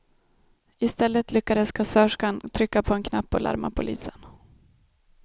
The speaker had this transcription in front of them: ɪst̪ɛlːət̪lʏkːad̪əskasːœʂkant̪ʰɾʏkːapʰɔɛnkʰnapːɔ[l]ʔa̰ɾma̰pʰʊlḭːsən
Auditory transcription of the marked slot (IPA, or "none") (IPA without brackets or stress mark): l